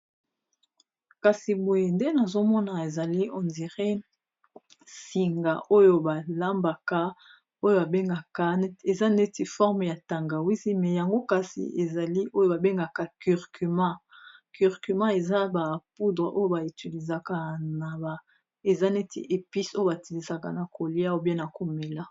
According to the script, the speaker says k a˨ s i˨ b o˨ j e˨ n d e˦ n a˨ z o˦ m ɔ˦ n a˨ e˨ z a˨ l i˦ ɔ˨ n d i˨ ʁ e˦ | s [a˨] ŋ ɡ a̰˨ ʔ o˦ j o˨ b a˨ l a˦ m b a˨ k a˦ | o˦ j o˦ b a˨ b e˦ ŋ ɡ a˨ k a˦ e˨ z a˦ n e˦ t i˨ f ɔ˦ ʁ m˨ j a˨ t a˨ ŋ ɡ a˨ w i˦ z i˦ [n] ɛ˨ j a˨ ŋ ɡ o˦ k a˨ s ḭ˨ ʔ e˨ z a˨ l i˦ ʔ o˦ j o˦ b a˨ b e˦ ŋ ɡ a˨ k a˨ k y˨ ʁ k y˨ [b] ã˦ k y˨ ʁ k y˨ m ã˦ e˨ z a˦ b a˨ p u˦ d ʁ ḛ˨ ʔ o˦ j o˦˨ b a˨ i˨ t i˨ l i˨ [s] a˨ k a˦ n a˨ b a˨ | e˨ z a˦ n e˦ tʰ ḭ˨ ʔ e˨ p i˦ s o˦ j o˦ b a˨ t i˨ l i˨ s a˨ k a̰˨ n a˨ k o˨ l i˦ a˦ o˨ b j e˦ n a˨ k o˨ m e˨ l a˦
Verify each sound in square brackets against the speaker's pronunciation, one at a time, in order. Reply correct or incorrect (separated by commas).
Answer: incorrect, incorrect, incorrect, incorrect